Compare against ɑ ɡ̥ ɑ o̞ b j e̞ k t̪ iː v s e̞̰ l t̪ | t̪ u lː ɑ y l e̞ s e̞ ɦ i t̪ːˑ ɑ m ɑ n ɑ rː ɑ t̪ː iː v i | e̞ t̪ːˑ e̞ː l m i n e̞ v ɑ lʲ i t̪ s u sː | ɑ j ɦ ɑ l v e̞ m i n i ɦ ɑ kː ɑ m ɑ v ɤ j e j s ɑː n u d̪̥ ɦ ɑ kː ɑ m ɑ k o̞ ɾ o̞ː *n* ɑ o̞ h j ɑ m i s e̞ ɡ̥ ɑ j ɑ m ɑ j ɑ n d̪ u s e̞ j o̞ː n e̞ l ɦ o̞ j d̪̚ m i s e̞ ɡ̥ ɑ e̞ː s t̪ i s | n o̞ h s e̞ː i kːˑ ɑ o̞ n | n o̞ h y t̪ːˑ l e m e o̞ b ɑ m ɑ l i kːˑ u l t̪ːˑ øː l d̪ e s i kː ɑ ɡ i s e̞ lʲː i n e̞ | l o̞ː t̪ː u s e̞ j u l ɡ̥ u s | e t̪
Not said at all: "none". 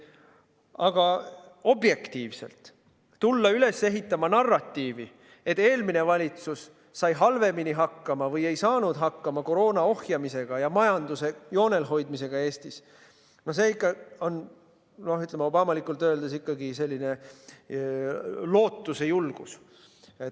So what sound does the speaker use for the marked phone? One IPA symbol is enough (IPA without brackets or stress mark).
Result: n